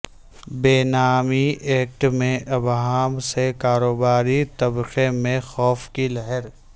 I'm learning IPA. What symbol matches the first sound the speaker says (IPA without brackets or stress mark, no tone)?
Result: b